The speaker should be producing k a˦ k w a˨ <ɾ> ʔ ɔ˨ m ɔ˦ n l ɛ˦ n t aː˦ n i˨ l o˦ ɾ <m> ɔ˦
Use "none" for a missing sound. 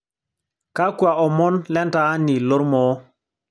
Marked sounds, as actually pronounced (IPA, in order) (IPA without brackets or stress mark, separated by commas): none, m